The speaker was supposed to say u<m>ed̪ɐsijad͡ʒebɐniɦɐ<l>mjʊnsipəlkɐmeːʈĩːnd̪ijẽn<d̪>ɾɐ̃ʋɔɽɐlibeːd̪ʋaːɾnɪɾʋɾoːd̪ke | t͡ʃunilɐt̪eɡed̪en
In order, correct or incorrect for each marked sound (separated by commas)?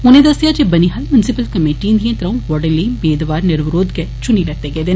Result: incorrect, correct, incorrect